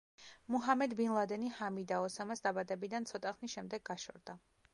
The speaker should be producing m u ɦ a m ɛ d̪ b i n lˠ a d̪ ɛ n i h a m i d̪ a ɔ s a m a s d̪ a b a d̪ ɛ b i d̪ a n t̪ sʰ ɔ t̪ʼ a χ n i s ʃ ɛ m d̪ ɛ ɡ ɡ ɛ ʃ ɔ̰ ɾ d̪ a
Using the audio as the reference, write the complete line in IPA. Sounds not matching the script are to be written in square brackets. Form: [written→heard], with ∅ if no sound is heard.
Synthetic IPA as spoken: m u ɦ a m ɛ d̪ b i n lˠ a d̪ ɛ n i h a m i d̪ a ɔ s a m a s d̪ a b a d̪ ɛ b i d̪ a n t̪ sʰ ɔ t̪ʼ a χ n i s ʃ ɛ m d̪ ɛ ɡ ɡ [ɛ→a] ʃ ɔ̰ ɾ d̪ a